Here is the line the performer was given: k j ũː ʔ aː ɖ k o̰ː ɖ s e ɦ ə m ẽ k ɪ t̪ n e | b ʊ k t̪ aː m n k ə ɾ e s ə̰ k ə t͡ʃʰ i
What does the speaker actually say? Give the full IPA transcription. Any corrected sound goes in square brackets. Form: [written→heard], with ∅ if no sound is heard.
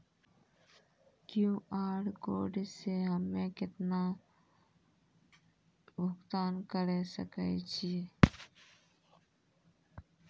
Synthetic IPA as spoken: k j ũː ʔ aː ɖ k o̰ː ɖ s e ɦ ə m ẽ k ɪ t̪ n [e→a] | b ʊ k t̪ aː [m→∅] n k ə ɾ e s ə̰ k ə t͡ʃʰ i